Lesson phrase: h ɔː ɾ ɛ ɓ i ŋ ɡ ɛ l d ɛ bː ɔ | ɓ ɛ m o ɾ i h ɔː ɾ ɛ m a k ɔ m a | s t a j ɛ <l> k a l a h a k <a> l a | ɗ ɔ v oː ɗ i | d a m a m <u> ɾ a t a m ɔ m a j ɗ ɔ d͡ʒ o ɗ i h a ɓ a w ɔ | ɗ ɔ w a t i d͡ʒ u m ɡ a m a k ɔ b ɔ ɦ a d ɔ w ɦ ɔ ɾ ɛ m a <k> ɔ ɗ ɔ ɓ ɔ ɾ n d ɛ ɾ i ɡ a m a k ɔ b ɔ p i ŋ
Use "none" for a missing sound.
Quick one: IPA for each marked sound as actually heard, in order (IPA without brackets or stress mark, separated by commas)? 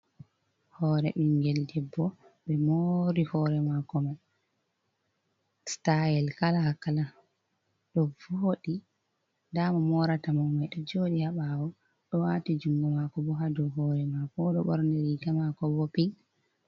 l, a, ɔ, k